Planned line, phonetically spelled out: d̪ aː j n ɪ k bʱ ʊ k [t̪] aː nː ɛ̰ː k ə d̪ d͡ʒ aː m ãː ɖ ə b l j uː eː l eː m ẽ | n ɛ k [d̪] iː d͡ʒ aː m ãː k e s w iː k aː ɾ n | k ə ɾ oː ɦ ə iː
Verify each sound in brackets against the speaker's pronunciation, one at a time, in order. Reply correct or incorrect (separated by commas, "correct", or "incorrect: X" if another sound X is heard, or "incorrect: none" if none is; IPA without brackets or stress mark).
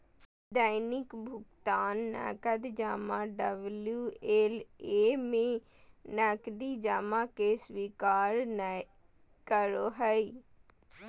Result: correct, correct